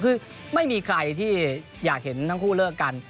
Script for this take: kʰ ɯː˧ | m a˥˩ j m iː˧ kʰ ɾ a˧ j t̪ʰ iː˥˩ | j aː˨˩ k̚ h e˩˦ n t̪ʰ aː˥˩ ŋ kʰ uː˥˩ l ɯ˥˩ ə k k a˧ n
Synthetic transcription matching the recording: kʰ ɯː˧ | m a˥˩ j m iː˧ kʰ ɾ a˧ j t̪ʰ iː˥˩ | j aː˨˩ k̚ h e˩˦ n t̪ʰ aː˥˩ ŋ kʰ uː˥˩ l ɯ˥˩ ə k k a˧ n